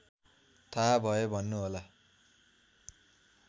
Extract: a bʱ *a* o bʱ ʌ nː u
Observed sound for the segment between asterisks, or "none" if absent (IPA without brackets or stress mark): ʌ